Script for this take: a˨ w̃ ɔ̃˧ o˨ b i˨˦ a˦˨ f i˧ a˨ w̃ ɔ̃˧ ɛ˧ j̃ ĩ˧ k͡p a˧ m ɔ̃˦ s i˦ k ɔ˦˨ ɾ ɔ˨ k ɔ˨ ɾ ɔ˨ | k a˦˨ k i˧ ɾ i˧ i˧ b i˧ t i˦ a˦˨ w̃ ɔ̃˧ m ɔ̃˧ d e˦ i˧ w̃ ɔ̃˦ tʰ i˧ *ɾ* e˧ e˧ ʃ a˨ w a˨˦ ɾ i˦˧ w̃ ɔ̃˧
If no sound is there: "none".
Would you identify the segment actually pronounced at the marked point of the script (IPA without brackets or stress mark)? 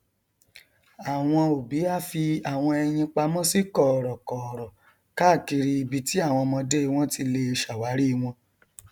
l